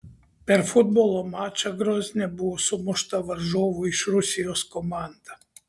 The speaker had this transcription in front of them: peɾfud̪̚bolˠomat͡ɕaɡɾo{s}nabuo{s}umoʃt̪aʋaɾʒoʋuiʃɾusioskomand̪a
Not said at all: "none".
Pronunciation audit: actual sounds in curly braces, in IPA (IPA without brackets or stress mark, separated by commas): z, s